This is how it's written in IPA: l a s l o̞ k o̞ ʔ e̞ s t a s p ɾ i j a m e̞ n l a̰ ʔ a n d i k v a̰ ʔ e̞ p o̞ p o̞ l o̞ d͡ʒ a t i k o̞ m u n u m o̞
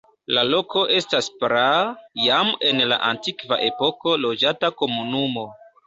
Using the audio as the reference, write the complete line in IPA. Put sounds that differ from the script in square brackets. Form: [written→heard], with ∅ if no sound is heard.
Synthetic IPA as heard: l a [s→∅] l o̞ k o̞ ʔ e̞ s t a s p ɾ [i→a] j a m e̞ n l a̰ ʔ a n [d→t] i k v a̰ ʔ e̞ p o̞ [p→k] o̞ l o̞ d͡ʒ a t [i→a] k o̞ m u n u m o̞